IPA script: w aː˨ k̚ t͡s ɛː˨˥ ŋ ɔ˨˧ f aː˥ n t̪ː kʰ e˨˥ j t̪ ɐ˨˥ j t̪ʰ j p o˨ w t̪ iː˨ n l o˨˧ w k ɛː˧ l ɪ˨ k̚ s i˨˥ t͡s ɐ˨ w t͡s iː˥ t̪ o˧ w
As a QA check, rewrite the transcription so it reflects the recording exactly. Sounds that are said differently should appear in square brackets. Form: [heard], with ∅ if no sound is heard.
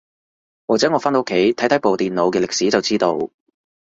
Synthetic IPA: w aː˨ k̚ t͡s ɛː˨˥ ŋ ɔ˨˧ f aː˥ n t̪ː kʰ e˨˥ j [t̪ʰ] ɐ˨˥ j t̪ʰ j p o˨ w t̪ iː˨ n l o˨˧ w k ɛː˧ l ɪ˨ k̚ s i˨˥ t͡s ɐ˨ w t͡s iː˥ t̪ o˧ w